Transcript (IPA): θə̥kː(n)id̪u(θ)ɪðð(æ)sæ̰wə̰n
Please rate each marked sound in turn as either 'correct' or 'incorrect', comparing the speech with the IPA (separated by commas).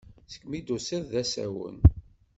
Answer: incorrect, incorrect, correct